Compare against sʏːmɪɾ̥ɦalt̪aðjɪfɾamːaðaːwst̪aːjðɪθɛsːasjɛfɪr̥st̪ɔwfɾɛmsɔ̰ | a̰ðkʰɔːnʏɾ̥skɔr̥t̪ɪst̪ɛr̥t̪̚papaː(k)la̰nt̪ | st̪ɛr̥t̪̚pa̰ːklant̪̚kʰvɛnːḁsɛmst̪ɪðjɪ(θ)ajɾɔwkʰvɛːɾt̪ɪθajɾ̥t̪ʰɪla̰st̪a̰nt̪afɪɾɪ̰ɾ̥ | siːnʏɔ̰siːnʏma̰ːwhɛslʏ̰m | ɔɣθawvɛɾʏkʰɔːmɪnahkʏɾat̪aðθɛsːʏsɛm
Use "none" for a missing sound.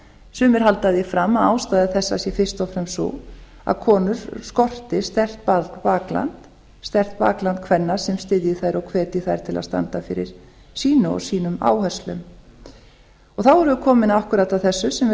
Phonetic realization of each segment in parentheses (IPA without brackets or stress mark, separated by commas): k, θ